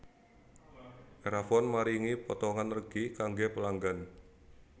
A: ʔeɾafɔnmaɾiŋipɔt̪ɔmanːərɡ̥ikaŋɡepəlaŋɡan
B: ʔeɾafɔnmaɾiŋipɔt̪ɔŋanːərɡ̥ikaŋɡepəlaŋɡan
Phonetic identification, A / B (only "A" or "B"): B